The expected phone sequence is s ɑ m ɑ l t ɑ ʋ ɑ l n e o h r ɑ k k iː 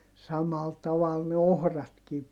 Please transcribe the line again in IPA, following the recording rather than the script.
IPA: s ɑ m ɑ l t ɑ ʋ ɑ l n e o h r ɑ t k iː